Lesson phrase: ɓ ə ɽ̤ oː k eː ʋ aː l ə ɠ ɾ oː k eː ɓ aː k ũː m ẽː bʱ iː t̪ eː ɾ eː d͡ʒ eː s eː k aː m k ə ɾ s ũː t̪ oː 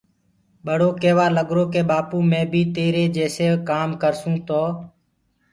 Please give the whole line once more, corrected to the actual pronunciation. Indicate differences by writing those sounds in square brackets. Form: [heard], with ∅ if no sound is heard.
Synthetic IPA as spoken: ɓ ə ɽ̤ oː k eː ʋ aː l ə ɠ ɾ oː k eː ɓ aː [p] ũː m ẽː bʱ iː t̪ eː ɾ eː d͡ʒ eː s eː k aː m k ə ɾ s ũː t̪ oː